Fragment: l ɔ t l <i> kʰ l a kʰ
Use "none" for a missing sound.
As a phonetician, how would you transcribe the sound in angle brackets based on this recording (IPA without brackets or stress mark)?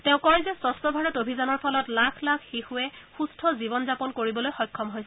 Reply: a